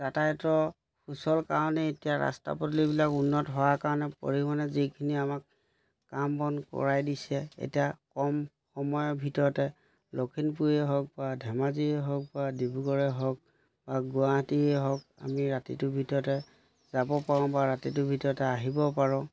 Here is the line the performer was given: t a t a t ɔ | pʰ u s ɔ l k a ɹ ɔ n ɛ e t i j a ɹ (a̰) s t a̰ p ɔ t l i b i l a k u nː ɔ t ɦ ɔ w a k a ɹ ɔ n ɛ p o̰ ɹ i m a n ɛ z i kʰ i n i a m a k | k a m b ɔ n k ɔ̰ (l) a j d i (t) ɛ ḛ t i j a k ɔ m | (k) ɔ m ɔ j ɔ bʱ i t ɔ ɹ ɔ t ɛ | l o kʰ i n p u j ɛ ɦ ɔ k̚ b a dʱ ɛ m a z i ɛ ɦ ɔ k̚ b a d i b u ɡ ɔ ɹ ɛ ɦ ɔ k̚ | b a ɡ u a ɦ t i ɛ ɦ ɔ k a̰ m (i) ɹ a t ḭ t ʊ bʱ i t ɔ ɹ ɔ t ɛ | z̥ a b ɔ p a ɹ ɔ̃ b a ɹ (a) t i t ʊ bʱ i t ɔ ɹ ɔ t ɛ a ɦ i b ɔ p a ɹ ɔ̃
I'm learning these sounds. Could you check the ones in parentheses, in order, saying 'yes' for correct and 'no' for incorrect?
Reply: yes, no, no, no, yes, yes

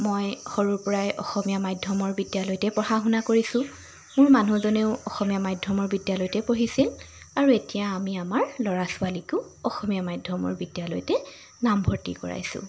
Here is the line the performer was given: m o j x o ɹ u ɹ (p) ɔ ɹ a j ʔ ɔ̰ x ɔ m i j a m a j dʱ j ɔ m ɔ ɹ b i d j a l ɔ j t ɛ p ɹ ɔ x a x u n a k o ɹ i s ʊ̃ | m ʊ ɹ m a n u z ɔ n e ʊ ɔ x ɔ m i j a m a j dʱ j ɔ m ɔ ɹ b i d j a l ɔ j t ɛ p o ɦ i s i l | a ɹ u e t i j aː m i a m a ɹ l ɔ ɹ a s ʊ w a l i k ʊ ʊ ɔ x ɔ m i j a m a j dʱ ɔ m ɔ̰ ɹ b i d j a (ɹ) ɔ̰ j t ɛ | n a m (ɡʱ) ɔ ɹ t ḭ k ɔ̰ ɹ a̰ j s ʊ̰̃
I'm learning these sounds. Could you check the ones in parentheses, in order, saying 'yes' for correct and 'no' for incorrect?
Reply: yes, no, no

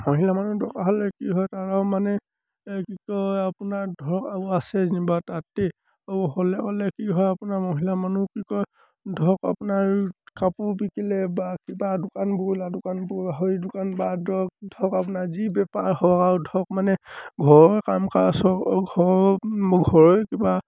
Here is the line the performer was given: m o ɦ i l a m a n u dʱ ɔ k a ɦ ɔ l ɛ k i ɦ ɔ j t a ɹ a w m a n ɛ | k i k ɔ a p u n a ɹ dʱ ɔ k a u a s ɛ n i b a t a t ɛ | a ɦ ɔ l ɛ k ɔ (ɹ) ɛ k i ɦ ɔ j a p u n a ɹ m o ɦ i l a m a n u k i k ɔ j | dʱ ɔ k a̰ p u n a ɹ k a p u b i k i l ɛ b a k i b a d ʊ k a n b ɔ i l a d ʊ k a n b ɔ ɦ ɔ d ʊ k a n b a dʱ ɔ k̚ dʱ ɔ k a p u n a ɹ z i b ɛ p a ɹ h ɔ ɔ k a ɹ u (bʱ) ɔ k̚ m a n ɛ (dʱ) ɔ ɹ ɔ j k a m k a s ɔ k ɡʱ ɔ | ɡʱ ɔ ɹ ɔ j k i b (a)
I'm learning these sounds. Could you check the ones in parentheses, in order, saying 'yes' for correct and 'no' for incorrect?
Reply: no, no, no, yes

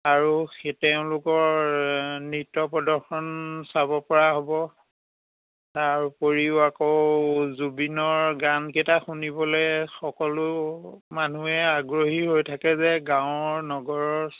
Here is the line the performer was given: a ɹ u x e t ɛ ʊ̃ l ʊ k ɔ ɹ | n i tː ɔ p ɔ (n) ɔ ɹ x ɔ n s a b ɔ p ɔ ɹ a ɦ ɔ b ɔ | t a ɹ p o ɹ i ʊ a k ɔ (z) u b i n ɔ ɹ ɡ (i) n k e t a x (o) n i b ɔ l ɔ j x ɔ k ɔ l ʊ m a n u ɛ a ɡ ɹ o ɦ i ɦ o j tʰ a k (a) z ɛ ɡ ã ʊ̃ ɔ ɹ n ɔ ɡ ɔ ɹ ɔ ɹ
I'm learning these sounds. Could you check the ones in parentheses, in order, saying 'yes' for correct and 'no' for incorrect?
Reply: no, yes, no, no, no

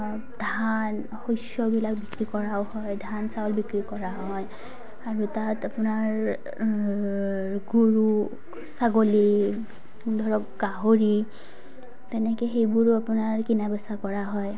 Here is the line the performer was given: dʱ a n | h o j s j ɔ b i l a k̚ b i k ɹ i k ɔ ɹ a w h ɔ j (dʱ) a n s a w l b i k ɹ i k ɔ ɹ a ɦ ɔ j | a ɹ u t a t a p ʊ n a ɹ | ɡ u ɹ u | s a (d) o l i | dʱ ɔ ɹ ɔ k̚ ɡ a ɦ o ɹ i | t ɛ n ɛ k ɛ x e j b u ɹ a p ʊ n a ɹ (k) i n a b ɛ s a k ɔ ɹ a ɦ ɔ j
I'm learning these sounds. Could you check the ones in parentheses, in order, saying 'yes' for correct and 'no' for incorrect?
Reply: yes, no, yes

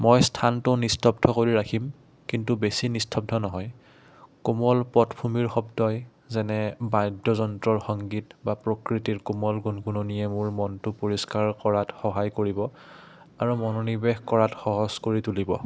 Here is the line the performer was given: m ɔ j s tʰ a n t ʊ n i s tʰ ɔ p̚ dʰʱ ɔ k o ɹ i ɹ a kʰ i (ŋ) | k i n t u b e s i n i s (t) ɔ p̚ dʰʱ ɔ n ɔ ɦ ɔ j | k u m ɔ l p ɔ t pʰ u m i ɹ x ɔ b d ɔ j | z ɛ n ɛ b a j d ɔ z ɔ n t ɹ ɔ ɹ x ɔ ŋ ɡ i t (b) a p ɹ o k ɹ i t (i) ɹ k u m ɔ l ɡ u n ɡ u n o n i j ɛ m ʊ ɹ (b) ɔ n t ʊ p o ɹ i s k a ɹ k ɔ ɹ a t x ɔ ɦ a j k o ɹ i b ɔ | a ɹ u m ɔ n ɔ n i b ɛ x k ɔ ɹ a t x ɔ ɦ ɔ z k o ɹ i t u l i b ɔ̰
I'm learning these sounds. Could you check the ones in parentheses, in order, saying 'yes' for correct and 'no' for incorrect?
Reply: no, no, yes, yes, no

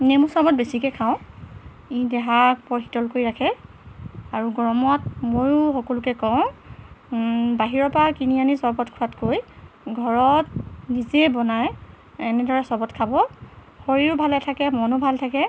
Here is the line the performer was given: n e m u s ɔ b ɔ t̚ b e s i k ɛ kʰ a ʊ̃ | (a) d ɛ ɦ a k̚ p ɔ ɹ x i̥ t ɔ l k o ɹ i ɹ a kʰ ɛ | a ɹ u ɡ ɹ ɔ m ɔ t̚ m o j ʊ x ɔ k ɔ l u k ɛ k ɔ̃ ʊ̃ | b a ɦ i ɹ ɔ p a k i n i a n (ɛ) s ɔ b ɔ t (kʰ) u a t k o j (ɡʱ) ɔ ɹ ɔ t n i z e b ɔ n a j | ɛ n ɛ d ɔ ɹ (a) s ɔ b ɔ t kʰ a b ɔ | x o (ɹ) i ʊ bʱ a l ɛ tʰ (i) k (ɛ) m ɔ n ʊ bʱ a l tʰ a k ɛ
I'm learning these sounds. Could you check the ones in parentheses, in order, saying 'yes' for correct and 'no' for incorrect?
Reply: no, no, yes, yes, no, yes, no, yes

